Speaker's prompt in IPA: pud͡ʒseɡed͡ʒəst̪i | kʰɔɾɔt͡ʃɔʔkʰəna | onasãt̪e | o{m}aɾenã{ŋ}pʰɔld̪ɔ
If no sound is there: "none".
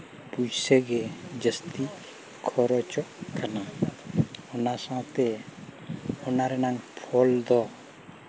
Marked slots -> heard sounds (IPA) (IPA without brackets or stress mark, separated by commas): n, ŋ